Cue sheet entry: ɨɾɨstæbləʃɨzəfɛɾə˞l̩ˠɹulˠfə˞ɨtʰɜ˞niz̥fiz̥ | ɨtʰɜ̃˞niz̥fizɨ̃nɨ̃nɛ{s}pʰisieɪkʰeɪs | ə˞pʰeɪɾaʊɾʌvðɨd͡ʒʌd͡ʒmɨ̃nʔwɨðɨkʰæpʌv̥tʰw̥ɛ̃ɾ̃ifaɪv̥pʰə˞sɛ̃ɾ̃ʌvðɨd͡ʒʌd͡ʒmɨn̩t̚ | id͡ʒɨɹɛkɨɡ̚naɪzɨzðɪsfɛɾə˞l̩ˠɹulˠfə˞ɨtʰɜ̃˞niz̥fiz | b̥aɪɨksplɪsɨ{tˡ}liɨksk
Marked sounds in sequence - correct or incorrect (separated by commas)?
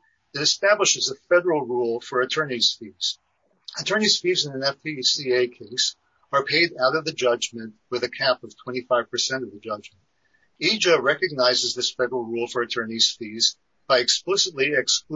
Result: incorrect, correct